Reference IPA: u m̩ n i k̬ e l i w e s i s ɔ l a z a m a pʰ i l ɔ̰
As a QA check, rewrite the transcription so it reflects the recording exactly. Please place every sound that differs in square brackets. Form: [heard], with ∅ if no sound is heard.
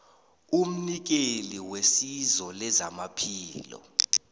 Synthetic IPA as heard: u m̩ n i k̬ e l i w e s i [z] ɔ l [ɛ] z a m a pʰ [iː] l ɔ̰

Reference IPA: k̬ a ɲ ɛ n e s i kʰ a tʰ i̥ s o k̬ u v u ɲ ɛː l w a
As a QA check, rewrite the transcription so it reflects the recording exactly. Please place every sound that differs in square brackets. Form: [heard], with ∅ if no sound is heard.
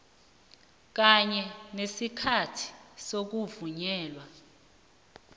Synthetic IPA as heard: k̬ a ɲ ɛ n e s i kʰ a tʰ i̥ s o k̬ u v u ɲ ɛː l w a

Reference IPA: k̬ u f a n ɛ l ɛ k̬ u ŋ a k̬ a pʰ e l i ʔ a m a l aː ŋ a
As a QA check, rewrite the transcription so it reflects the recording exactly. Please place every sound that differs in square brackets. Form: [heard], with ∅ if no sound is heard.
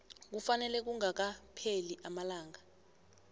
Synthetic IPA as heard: k̬ u f a n ɛ l ɛ k̬ u ŋ a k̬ a pʰ e l i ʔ a m a l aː ŋ a

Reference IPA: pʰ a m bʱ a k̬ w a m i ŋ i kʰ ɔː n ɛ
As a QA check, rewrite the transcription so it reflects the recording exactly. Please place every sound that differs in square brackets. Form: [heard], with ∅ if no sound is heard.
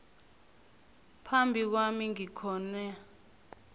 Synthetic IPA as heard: pʰ a m bʱ [i] k̬ w a m i ŋ i kʰ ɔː n ɛ

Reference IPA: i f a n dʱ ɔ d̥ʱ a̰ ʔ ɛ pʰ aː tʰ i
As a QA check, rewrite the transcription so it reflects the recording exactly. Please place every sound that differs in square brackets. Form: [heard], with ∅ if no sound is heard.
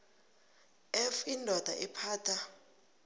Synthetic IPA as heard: [ɛ] f [i] n dʱ ɔ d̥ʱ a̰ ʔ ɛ pʰ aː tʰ [a]

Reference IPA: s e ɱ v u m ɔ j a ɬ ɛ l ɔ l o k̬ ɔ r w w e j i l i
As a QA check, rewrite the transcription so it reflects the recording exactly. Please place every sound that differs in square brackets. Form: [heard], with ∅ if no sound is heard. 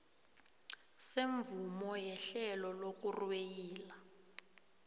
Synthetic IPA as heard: s e ɱ v u m ɔ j [ɛ] ɬ ɛ l ɔ l o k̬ [u] r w w e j [iː] l [a]

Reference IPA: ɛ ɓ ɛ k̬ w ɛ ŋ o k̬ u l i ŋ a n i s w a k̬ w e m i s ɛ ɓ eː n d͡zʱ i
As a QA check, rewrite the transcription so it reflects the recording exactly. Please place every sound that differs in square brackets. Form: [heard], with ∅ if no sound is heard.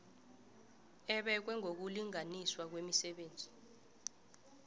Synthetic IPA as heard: ɛ ɓ ɛ k̬ w ɛ ŋ o k̬ u l i ŋ a n i s w a k̬ w e m i s ɛ ɓ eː n d͡zʱ i

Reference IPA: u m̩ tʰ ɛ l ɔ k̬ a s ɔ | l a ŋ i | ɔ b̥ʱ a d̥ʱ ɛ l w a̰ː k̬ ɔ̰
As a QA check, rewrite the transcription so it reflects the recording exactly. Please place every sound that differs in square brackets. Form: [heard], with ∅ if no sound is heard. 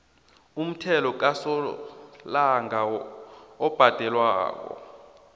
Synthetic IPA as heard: u m̩ tʰ ɛ l ɔ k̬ a s ɔ | l a ŋ [a] | ɔ b̥ʱ a d̥ʱ ɛ l w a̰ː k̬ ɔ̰

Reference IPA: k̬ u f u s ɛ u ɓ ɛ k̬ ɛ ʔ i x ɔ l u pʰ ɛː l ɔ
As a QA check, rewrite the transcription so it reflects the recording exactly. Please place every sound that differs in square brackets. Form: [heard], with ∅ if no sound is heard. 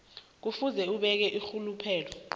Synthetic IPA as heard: k̬ u f u [z] ɛ u ɓ ɛ k̬ ɛ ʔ i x [u] l u pʰ ɛː l ɔ

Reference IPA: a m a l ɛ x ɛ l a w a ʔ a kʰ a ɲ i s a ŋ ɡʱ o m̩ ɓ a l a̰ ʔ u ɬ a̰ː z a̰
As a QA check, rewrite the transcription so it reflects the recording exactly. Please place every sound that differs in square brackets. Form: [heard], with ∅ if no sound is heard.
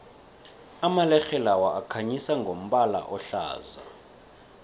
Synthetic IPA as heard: a m a l ɛ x ɛ l a w a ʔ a kʰ a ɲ i s a ŋ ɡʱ o m̩ ɓ a l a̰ ʔ [ɔ] ɬ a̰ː z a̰

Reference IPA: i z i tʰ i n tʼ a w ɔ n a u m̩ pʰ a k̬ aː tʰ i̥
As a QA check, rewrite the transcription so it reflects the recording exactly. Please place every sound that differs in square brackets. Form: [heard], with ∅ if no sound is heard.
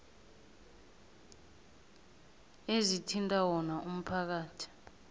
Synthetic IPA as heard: [e] z i tʰ i n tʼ a w ɔ n a u m̩ pʰ a k̬ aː tʰ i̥

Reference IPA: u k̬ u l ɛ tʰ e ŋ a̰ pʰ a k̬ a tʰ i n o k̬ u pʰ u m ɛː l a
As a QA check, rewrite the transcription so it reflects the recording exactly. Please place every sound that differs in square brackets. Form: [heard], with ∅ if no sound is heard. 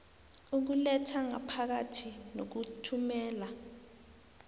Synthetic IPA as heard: u k̬ u l ɛ tʰ [a] ŋ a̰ pʰ a k̬ a tʰ i n o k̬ u [tʰ] u m ɛː l a

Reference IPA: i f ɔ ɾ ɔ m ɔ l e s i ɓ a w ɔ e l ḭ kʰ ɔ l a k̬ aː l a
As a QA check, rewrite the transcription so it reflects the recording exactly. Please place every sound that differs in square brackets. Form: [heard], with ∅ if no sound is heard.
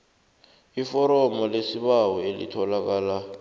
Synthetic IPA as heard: i f ɔ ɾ ɔ m ɔ l e s i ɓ a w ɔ e l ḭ [tʰ] ɔ l a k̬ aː l a

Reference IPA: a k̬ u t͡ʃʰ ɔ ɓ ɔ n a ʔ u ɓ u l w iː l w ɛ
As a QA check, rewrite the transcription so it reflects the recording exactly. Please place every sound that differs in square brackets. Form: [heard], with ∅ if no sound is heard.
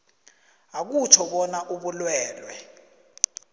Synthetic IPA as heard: a k̬ u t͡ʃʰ ɔ ɓ ɔ n a ʔ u ɓ u l w [ɛː] l w ɛ

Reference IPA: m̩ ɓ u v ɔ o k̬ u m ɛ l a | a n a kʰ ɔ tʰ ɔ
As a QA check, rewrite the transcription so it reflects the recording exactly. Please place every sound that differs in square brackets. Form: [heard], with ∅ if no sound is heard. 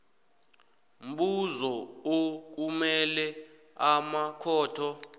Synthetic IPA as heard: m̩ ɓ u [z] ɔ o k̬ u m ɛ l [ɛ] | a [m] a kʰ [ɔː] tʰ ɔ

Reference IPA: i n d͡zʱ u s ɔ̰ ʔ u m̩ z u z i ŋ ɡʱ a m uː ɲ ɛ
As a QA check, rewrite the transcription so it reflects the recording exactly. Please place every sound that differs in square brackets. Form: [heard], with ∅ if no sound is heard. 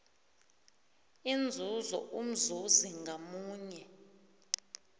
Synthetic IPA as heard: i n d͡zʱ u [z] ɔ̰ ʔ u m̩ z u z i ŋ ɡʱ a m uː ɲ ɛ

